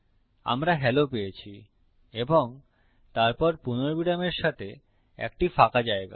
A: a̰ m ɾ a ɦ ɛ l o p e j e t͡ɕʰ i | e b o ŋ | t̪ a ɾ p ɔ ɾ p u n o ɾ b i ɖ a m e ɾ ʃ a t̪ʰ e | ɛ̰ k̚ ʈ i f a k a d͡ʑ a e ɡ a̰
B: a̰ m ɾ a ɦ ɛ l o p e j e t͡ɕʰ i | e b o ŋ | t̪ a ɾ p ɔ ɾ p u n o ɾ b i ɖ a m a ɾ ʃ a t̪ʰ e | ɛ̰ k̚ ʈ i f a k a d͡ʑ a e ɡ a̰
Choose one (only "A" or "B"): A